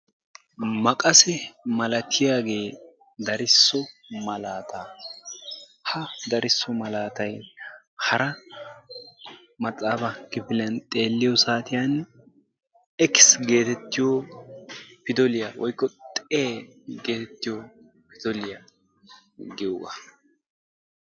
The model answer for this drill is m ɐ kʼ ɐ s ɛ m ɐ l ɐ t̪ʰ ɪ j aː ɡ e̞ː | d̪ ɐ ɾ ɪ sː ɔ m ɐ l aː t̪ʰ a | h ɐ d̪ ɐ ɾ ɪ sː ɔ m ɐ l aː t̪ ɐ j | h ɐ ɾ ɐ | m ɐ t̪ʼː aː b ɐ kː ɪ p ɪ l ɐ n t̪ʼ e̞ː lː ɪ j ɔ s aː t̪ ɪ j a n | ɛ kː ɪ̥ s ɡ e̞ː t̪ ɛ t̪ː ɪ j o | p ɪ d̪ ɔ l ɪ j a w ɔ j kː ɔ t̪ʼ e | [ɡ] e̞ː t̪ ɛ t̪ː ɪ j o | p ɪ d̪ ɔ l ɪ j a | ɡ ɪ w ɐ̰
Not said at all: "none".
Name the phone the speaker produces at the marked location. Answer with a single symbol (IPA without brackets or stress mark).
ɡ